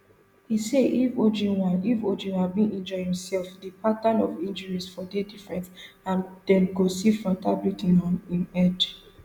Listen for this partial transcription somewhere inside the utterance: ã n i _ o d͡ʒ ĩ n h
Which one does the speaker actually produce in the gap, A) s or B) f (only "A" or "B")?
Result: B